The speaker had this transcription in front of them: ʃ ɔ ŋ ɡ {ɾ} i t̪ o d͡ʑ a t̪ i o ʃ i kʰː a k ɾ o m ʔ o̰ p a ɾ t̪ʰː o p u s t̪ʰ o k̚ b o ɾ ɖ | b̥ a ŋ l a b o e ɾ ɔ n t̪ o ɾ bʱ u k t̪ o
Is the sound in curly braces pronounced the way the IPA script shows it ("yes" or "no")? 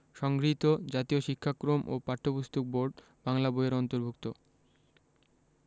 yes